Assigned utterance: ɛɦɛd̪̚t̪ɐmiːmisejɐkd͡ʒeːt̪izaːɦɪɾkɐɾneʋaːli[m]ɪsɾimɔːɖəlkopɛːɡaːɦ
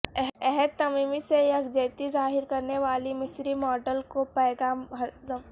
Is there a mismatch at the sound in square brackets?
no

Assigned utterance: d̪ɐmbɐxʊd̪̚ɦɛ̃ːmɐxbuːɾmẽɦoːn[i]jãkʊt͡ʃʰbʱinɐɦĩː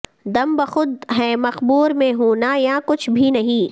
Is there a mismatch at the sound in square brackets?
yes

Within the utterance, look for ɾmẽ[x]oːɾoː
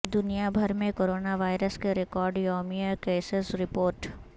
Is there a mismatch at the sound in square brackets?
yes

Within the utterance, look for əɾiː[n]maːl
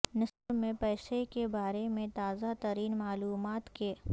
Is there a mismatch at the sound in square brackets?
no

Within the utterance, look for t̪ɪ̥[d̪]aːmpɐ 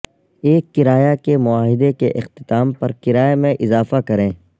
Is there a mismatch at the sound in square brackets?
yes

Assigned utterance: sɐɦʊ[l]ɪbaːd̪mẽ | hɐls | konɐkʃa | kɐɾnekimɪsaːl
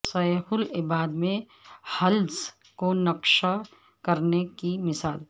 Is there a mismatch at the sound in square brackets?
no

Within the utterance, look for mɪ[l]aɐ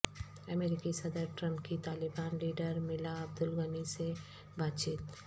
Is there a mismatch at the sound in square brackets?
no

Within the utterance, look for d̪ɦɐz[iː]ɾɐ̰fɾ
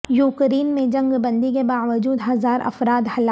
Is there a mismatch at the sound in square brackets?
yes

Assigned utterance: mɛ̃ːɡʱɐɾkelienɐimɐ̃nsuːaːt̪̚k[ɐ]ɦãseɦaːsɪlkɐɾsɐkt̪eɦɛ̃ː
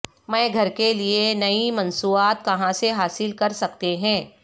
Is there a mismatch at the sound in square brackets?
no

